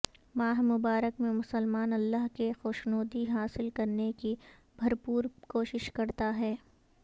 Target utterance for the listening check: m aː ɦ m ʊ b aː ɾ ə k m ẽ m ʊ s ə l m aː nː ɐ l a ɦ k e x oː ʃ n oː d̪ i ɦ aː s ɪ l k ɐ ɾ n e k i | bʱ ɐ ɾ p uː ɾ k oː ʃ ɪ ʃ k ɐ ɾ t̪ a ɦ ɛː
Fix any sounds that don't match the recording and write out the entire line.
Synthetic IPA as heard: m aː ɦ m ʊ b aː ɾ ə k m ẽ m ʊ s ə l m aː n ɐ lː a ɦ k e x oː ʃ n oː d̪ i ɦ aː s ɪ l k ɐ ɾ n e k i | bʱ ɐ ɾ p uː ɾ k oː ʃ ɪ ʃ k ɐ ɾ t̪ a ɦ ɛː